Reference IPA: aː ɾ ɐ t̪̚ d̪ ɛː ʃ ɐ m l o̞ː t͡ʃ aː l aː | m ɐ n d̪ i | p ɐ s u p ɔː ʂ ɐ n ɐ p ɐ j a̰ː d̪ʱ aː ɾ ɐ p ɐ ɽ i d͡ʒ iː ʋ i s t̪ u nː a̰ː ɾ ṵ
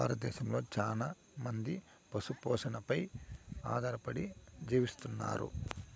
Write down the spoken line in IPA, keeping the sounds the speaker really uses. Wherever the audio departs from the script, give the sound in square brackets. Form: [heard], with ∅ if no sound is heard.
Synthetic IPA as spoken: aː ɾ ɐ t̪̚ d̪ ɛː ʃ ɐ m l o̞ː t͡ʃ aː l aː | m ɐ n d̪ i | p ɐ s u p ɔː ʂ ɐ n ɐ p ɐ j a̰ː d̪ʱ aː ɾ ɐ p ɐ ɽ i d͡ʒ iː ʋ i s t̪ u nː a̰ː ɾ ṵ